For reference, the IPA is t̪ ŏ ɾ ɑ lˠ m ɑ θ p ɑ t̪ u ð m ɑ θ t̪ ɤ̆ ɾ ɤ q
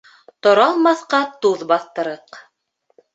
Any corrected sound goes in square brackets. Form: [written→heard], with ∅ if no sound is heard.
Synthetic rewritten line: t̪ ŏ ɾ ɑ lˠ m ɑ θ [p→q] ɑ t̪ u ð [m→b] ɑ θ t̪ ɤ̆ ɾ ɤ q